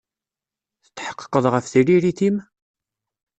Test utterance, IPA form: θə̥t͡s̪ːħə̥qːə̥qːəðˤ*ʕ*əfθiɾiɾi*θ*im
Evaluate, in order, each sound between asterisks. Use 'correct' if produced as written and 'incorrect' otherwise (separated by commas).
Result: incorrect, correct